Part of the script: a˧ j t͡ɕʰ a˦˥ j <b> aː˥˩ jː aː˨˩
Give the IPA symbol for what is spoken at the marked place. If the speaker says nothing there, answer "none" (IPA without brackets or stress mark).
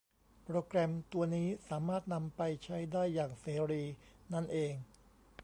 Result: d